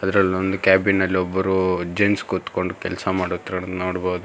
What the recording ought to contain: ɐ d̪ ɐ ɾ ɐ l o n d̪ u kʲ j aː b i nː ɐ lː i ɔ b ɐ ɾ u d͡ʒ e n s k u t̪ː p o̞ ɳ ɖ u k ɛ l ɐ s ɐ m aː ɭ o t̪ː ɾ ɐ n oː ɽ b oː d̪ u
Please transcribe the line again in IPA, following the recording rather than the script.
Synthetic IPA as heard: ɐ d̪ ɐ ɾ ɐ l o n d̪ u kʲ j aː b i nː ɐ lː i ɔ bː ɐ ɾ u d͡ʒ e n s k u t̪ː k o̞ ɳ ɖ u k ɛ l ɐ s ɐ m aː ɽ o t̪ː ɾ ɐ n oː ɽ b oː d̪ u

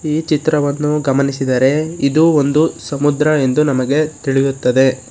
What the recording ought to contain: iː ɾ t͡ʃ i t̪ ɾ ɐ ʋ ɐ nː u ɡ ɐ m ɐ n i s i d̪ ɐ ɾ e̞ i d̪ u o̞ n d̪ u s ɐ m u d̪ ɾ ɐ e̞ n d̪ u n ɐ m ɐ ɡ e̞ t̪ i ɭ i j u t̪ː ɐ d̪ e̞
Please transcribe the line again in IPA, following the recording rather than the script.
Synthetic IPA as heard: iː t͡ʃ i t̪ ɾ ɐ ʋ ɐ nː u ɡ ɐ m ɐ n i s i d̪ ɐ ɾ e̞ i d̪ u o̞ n d̪ u s ɐ m u d̪ ɾ ɐ e̞ n d̪ u n ɐ m ɐ ɡ e̞ t̪ i ɭ i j u t̪ː ɐ d̪ e̞

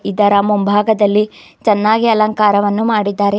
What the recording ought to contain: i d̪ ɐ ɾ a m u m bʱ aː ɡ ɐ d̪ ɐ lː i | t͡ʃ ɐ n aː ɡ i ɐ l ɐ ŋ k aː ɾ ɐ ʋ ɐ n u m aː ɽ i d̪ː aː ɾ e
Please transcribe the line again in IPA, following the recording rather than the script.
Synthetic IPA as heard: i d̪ ɐ ɾ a m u m bʱ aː ɡ ɐ d̪ ɐ lː i | t͡ʃ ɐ nː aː ɡ i ɐ l ɐ ŋ k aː ɾ ɐ ʋ ɐ nː u m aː ɽ i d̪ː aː ɾ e

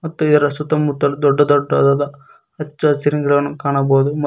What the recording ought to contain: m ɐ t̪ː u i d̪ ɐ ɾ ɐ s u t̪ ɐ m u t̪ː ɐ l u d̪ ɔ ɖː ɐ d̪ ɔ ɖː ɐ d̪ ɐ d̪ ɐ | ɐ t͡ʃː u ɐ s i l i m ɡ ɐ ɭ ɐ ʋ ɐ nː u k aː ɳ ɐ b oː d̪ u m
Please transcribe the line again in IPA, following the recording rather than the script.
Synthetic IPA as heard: m ɐ t̪ː u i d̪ ɐ ɾ ɐ s u t̪ ɐ m u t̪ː ɐ l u d̪ ɔ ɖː ɐ d̪ ɔ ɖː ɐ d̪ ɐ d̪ ɐ | ɐ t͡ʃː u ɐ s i ɾ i ŋ ɡ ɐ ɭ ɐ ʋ ɐ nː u k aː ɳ ɐ b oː d̪ u m

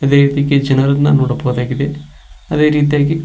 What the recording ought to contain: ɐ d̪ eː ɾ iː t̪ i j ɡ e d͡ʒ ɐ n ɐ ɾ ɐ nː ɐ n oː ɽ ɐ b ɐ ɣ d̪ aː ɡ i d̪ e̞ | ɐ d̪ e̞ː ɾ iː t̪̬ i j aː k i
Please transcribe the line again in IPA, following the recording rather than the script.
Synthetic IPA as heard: ɐ d̪ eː ɾ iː t̪ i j ɡ e d͡ʒ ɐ n ɐ ɾ ɐ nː ɐ n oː ɽ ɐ b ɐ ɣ d̪ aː ɡ i d̪ e̞ | ɐ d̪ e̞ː ɾ iː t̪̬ i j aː ɡ i

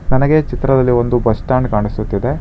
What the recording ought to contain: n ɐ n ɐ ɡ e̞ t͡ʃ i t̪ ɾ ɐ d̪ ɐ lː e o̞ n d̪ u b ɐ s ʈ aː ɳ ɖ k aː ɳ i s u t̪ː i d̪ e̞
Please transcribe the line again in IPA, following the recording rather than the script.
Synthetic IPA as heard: n ɐ n ɐ ɡ e̞ t͡ʃ i t̪ ɾ ɐ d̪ ɐ lː i o̞ n d̪ u b ɐ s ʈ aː ɳ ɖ k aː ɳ i s u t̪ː i d̪ e̞

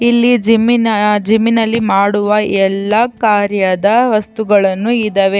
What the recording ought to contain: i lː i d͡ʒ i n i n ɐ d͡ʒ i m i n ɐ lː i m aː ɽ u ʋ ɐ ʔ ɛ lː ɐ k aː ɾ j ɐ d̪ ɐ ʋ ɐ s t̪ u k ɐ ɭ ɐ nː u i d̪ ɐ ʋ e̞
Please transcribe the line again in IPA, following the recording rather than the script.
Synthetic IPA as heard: i lː i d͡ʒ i m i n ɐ d͡ʒ i m i n ɐ lː i m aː ɽ u ʋ ɐ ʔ ɛ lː ɐ k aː ɾ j ɐ d̪ ɐ ʋ ɐ s t̪ u ɡ ɐ ɭ ɐ nː u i d̪ ɐ ʋ e̞

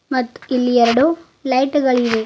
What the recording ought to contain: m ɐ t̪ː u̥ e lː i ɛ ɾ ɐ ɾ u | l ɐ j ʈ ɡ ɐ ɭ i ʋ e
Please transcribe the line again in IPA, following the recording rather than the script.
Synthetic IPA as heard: m ɐ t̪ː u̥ i lː i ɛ ɾ ɐ ɽ u | l ɐ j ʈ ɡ ɐ ɭ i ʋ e

